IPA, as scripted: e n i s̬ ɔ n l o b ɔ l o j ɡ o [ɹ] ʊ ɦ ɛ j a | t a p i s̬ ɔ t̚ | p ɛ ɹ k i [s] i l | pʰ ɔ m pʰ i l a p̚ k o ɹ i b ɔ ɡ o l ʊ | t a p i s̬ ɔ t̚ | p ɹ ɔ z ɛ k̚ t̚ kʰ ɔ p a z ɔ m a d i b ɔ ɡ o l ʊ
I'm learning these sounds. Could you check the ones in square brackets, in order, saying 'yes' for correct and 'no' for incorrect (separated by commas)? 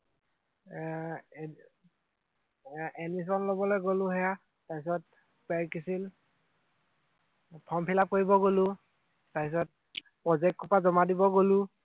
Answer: no, yes